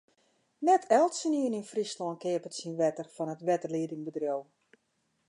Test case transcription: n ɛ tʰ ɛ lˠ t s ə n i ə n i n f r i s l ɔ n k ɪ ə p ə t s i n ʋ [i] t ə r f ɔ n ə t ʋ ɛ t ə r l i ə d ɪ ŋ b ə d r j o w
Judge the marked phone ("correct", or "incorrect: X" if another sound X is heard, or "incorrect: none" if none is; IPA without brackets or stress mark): incorrect: ɛ